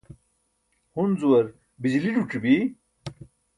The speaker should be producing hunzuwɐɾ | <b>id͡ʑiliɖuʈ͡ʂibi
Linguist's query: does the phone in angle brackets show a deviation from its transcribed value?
no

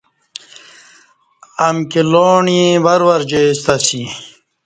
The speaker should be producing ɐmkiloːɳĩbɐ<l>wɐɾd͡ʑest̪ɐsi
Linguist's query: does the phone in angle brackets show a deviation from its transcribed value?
yes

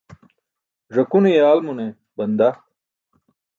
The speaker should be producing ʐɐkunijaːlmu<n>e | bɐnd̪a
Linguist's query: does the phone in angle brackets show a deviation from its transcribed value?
no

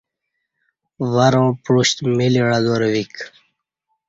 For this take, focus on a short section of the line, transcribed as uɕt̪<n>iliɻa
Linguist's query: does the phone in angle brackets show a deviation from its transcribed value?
yes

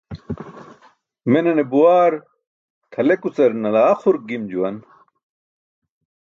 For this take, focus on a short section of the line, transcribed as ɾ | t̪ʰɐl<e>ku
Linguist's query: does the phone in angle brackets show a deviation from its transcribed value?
no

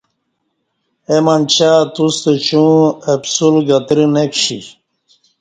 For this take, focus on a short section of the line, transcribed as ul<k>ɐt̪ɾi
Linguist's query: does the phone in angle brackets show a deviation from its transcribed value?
yes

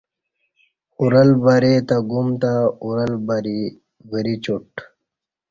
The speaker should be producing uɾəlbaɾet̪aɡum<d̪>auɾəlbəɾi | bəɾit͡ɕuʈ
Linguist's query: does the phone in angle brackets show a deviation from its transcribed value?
yes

